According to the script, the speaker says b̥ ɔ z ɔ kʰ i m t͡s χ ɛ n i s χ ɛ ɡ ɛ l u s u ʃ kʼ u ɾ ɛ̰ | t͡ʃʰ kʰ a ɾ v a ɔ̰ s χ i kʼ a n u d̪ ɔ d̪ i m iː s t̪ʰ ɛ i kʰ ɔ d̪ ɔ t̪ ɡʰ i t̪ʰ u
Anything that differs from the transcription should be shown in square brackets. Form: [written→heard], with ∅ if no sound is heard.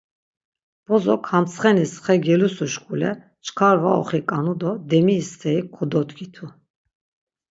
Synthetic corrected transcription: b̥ ɔ z ɔ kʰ [i→a] m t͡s χ ɛ n i s χ ɛ ɡ ɛ l u s u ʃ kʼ u [ɾ→l] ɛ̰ | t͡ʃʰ kʰ a ɾ v a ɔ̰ [s→∅] χ i kʼ a n u d̪ ɔ d̪ [i→ɛ] m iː s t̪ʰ ɛ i kʰ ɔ d̪ ɔ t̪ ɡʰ i t̪ʰ u